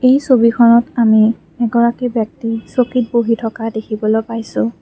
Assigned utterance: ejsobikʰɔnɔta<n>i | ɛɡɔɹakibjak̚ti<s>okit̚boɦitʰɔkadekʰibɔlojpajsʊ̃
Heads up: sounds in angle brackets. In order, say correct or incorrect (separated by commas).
incorrect, correct